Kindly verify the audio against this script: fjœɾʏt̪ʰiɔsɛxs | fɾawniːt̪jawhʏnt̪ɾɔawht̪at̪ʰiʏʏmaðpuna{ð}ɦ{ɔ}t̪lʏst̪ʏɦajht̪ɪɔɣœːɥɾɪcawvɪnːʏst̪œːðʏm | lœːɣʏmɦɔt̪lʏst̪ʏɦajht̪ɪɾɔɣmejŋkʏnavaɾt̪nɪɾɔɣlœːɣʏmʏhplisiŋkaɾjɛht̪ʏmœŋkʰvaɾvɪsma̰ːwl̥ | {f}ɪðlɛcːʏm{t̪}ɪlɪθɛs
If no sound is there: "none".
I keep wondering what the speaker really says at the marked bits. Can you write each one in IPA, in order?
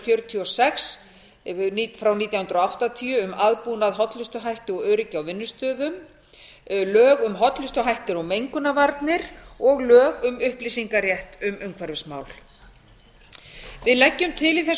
ð, ɔ, v, t̪ʰ

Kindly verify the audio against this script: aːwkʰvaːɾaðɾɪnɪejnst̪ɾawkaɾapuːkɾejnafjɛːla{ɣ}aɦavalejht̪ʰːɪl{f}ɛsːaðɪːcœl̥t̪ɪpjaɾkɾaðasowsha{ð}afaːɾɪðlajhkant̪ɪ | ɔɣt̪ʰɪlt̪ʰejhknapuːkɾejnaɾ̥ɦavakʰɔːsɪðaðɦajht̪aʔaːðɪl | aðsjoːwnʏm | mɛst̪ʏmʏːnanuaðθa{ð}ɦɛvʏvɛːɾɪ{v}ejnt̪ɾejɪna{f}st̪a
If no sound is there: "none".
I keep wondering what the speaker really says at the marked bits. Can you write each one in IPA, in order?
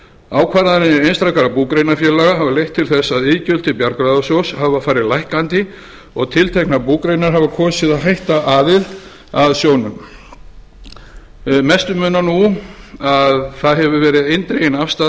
ɣ, θ, v, ð, ð, f

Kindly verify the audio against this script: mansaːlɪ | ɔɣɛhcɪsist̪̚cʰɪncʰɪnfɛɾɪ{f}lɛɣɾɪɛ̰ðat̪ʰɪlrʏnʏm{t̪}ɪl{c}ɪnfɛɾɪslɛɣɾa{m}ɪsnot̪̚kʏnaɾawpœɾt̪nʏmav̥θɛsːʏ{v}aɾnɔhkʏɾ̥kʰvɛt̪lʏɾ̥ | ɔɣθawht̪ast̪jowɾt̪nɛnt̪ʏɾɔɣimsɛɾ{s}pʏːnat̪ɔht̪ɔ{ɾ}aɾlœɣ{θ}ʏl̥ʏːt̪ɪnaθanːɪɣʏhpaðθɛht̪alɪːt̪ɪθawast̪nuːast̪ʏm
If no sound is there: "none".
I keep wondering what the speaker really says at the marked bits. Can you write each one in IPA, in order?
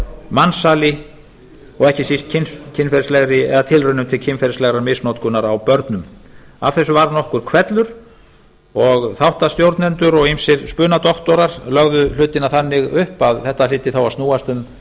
s, t̪ʰ, cʰ, m, v, s, ɾ, ð

